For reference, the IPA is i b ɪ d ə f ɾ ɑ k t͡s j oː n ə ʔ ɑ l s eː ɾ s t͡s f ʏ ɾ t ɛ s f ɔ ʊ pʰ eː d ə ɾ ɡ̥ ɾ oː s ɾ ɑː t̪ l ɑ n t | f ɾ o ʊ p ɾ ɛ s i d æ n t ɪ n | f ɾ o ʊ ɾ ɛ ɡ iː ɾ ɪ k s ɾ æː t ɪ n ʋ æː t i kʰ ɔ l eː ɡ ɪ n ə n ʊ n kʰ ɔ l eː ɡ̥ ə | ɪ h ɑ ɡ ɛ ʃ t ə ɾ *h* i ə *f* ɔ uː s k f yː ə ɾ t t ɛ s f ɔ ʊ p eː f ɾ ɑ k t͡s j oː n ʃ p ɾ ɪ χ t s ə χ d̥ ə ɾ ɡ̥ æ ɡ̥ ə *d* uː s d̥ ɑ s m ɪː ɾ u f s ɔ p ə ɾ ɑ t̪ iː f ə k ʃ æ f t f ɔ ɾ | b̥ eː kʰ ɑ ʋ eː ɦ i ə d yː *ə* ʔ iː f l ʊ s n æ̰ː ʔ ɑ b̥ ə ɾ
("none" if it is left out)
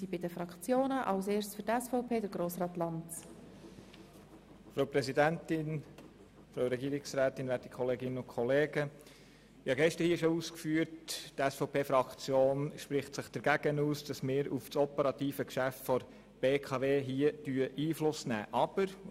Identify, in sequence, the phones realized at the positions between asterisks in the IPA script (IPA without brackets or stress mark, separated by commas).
h, ʃ, n, ə